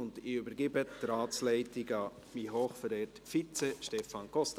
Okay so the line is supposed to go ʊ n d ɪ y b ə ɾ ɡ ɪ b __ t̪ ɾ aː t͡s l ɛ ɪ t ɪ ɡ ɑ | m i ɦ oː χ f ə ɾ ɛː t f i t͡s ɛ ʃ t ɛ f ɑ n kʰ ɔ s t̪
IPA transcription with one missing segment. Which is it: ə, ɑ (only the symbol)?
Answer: ə